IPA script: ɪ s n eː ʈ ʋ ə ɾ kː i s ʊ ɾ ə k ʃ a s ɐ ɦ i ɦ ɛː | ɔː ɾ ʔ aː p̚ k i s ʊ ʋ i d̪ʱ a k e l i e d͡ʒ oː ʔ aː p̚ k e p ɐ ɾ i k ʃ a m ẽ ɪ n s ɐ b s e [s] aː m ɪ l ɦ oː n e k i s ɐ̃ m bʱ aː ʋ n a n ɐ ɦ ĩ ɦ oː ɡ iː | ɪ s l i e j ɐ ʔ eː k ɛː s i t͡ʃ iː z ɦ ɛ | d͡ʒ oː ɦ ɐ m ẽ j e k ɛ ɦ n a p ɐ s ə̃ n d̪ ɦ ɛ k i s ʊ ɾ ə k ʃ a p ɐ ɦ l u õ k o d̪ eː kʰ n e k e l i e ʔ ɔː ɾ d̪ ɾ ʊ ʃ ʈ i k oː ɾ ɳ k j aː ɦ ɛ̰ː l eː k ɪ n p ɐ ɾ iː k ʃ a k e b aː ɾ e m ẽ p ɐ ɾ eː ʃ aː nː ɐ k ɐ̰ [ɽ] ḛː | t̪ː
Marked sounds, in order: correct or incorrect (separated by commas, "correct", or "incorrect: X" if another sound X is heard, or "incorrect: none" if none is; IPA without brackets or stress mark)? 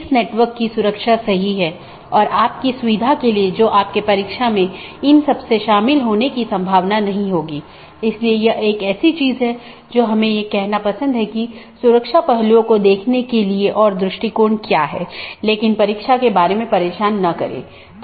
incorrect: ʃ, incorrect: ɾ